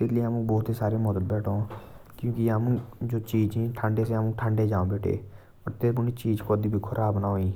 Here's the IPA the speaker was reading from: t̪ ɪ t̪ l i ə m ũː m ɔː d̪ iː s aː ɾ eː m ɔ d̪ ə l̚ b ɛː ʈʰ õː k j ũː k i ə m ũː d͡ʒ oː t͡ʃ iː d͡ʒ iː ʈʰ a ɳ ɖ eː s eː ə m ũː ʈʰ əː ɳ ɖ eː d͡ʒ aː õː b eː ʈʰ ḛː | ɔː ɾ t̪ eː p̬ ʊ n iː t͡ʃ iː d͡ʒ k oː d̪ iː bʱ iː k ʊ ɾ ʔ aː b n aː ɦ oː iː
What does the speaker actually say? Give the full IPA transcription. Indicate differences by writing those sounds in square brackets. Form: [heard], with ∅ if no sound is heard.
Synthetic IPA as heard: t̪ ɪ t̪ l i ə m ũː [b] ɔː [t̪] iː s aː ɾ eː m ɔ d̪ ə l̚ b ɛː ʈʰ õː k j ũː k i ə m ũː d͡ʒ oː t͡ʃ iː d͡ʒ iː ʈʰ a ɳ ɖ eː s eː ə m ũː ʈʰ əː ɳ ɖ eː d͡ʒ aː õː b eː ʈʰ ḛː | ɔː ɾ t̪ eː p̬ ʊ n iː t͡ʃ iː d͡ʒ k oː d̪ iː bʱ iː [kʰ] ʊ ɾ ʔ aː b n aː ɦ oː iː